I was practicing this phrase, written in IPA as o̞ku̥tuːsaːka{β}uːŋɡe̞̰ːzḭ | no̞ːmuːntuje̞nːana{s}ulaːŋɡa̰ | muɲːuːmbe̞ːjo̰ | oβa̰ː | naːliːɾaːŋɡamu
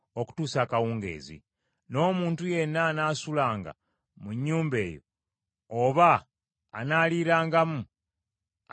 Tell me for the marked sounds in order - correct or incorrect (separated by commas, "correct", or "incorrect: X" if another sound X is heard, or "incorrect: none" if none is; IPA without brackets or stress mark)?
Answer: incorrect: w, correct